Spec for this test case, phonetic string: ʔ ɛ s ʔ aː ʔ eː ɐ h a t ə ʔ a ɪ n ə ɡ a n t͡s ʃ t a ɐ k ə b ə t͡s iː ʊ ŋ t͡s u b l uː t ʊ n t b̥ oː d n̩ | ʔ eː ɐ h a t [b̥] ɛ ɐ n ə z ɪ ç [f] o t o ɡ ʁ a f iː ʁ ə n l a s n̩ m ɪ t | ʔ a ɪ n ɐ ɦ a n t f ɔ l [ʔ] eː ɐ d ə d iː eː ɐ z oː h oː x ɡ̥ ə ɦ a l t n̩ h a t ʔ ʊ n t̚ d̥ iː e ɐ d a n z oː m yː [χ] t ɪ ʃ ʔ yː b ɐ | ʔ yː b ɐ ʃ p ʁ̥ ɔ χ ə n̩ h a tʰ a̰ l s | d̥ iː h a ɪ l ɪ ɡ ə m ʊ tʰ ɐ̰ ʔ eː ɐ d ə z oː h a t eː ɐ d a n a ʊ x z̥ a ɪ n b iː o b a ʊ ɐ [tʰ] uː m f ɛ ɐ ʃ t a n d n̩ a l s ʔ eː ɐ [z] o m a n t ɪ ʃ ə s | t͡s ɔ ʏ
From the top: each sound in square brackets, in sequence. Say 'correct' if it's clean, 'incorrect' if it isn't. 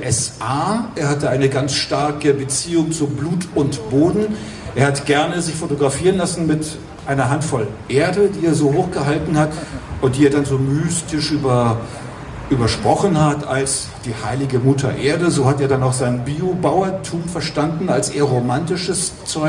incorrect: ɡ̥, correct, correct, incorrect: s, correct, incorrect: ʁ

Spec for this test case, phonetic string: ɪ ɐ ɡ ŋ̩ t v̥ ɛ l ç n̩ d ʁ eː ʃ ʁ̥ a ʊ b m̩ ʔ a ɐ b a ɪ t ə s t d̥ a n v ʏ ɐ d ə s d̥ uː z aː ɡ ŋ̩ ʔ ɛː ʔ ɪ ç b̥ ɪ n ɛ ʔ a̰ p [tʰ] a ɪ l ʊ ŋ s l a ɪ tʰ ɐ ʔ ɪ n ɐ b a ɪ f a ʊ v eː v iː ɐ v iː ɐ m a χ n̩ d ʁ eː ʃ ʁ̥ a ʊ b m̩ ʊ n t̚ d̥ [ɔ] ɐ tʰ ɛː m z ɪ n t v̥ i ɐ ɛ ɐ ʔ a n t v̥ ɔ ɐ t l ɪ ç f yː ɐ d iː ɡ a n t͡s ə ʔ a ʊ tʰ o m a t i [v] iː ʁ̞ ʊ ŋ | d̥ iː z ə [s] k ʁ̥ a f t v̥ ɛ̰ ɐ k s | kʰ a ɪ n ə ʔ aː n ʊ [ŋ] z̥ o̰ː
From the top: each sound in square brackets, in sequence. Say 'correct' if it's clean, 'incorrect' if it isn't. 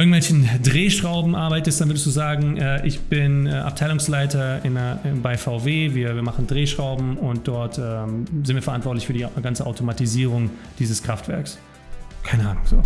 correct, correct, incorrect: z, correct, correct

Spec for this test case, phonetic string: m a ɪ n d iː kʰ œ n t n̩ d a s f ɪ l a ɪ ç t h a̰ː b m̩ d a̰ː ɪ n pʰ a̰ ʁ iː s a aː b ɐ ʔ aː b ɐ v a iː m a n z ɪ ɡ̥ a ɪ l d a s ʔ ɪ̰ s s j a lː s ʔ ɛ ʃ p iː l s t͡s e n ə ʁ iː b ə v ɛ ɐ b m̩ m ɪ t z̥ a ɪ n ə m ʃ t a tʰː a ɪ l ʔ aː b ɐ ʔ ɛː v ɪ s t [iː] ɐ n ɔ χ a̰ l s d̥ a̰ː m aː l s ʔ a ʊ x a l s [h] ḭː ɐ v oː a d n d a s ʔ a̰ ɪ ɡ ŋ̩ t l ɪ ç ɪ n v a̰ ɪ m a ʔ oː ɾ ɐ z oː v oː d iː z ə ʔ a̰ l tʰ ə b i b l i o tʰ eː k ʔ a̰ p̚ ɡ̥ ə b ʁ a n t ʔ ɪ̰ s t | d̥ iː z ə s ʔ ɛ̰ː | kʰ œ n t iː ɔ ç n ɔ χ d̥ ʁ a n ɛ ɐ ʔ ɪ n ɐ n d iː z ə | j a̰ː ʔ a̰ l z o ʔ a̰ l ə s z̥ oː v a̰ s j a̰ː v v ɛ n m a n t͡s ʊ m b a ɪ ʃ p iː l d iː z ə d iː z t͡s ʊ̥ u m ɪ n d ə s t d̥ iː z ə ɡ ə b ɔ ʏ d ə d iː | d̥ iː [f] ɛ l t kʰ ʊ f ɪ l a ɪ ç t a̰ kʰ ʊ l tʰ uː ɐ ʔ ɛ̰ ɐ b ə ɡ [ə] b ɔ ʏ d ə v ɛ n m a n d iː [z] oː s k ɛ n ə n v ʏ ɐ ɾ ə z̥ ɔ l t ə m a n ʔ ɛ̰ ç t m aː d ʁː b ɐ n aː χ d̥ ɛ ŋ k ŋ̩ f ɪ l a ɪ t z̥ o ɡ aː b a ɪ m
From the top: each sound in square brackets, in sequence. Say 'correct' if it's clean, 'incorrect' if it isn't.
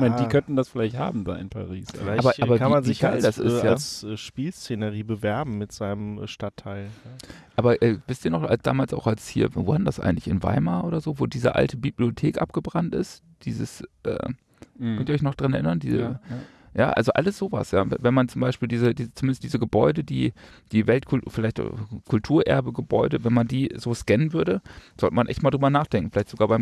correct, correct, incorrect: v, correct, correct

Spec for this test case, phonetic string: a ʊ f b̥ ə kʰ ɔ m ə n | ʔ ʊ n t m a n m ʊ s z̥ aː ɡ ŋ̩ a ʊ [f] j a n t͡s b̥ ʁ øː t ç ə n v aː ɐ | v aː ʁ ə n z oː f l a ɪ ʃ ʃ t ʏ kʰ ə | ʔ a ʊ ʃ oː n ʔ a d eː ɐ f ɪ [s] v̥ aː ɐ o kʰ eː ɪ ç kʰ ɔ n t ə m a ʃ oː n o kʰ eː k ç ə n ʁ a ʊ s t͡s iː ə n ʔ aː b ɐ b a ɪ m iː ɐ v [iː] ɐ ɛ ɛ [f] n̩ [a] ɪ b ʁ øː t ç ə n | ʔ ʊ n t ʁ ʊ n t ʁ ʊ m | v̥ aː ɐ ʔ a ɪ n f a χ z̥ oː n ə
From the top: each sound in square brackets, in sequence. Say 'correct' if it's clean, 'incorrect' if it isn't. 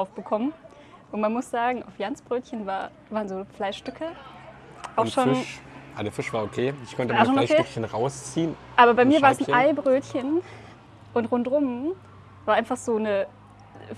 correct, incorrect: ʃ, incorrect: aː, incorrect: s, correct

